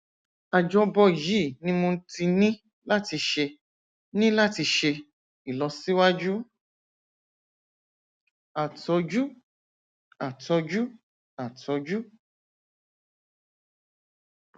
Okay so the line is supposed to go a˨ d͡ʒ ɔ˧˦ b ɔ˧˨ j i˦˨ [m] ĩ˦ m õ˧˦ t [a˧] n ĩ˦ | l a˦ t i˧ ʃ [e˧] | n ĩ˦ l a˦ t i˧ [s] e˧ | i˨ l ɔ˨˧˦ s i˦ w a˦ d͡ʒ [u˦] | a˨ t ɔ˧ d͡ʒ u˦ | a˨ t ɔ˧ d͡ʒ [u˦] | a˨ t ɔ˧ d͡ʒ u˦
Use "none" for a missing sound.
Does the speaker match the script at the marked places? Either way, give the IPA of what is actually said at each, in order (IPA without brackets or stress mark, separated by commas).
n, i˧, e˧, ʃ, u˦, u˦